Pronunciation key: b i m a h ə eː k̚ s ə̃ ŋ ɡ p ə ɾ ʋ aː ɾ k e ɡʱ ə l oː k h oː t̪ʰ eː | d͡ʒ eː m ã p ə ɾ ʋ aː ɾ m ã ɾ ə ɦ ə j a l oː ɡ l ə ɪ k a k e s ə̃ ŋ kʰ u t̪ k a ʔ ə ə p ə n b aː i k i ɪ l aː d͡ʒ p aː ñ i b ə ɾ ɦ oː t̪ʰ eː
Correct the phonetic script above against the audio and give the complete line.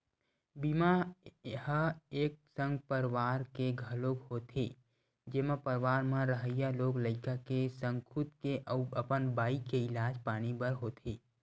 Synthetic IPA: b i m a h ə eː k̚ s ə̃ ŋ ɡ p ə ɾ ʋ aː ɾ k e ɡʱ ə l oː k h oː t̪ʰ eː | d͡ʒ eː m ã p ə ɾ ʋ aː ɾ m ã ɾ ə ɦ ə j a l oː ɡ l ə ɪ k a k e s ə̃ ŋ kʰ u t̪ k e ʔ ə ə p ə n b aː i k e ɪ l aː d͡ʒ p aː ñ i b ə ɾ ɦ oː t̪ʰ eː